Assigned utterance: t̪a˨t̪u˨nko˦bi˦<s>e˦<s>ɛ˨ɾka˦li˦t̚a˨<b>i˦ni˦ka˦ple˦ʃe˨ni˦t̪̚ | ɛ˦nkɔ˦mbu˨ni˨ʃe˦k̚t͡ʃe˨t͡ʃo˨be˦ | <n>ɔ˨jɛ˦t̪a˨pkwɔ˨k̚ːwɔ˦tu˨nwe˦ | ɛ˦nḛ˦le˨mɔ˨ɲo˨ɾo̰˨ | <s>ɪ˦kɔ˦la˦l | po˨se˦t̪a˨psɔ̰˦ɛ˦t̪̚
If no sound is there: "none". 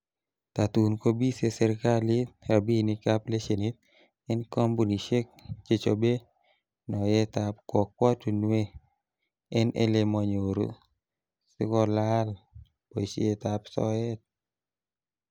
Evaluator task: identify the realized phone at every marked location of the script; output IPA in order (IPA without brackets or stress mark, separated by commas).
s, s, b, n, s